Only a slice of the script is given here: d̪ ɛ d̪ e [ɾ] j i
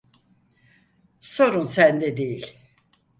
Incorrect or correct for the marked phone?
incorrect: none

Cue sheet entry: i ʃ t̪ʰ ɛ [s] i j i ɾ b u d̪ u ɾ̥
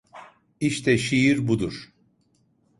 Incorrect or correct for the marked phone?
incorrect: ʃ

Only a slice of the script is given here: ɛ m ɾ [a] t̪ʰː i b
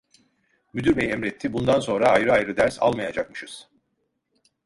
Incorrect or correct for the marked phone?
incorrect: ɛ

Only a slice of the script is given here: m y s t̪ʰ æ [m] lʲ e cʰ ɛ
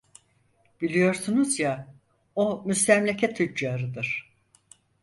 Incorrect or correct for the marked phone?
correct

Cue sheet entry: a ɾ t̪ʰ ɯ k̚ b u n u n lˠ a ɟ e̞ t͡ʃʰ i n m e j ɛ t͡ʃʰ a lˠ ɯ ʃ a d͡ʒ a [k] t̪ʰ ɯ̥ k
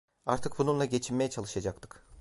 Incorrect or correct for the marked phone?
correct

